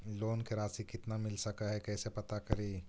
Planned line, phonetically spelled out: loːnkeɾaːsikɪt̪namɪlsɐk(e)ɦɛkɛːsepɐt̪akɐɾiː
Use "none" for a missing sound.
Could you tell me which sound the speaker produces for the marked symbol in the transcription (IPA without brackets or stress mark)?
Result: a